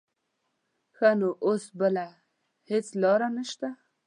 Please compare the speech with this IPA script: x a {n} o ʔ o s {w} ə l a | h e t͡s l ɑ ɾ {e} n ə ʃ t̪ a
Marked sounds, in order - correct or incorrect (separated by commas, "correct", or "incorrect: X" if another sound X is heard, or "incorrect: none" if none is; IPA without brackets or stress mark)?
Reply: correct, incorrect: b, incorrect: a